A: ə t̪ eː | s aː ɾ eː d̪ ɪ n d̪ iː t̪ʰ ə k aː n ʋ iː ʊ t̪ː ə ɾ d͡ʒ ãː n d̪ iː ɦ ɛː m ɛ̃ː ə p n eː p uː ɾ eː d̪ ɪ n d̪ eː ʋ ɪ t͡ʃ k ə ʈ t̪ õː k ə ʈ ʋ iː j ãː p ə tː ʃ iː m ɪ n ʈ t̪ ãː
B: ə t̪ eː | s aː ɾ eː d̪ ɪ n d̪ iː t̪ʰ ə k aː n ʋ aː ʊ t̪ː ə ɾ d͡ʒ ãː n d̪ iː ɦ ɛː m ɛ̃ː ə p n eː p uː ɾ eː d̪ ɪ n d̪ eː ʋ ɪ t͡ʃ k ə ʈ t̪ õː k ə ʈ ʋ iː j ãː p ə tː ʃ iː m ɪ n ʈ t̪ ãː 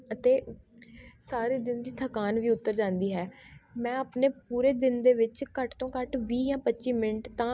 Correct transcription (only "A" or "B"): A